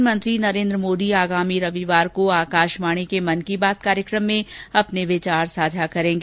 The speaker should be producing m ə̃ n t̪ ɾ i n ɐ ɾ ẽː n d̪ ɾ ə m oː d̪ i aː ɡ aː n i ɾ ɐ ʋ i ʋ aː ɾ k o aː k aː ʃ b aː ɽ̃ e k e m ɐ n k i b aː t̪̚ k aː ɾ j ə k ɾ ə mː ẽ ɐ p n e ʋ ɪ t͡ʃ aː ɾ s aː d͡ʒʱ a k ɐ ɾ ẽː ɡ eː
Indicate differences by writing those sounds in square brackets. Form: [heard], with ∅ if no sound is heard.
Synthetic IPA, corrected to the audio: m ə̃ n t̪ ɾ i n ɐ ɾ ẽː n d̪ ɾ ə m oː d̪ i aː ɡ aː [m] i ɾ ɐ ʋ i ʋ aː ɾ k o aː k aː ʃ [m] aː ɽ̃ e k e m ɐ n k i b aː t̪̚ k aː ɾ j ə k ɾ ə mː ẽ ɐ p n e ʋ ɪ t͡ʃ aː ɾ s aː d͡ʒʱ a k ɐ ɾ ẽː ɡ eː